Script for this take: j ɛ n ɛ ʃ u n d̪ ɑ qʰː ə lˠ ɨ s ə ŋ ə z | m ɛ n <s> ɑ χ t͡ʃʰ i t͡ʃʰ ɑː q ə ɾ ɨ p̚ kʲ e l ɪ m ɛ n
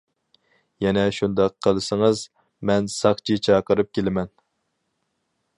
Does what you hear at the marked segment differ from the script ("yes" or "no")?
no